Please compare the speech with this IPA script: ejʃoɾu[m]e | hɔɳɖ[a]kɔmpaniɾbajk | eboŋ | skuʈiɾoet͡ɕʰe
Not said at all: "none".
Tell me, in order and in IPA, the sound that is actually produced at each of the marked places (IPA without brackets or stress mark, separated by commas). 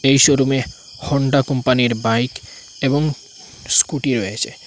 m, a